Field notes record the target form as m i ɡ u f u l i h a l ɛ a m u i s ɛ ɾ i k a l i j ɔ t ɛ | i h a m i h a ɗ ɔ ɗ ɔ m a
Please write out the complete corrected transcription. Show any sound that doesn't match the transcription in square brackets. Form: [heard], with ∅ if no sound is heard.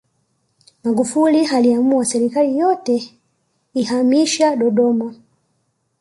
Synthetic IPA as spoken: m [a] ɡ u f u l i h a l [i] a m u [a] s ɛ ɾ i k a l i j ɔ t ɛ | i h a m i [ʃ] a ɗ ɔ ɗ ɔ m a